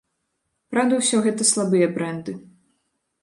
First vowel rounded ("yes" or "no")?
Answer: no